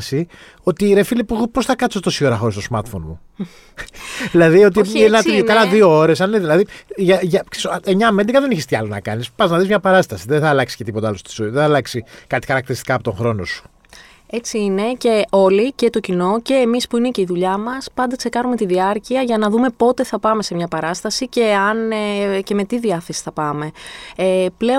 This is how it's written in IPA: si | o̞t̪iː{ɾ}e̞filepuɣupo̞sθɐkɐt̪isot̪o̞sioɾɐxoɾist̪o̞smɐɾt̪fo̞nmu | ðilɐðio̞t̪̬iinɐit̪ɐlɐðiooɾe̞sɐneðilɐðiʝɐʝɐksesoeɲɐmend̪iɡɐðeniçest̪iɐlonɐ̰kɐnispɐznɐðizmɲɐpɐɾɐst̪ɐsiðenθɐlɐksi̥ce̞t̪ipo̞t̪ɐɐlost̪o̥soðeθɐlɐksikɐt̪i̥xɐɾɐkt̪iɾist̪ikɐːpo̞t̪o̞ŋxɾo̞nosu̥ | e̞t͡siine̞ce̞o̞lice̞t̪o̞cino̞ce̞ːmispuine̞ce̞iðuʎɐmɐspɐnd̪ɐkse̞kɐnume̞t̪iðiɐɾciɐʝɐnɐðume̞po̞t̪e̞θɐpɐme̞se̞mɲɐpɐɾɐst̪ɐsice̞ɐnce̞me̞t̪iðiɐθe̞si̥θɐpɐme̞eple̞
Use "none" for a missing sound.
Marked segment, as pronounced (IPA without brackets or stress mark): ɾ